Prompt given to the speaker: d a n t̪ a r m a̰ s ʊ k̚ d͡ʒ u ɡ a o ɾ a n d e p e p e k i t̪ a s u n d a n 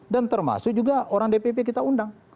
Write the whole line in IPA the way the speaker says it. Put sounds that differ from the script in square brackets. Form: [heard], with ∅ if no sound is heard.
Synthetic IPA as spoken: d a n t̪ [ə] r m a̰ s ʊ k̚ d͡ʒ u ɡ a o ɾ a [ŋ] d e p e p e k i t̪ a [∅] u n d a [ŋ]